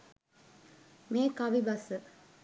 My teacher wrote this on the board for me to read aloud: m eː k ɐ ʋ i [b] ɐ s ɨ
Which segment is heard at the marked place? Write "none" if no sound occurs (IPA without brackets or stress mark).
b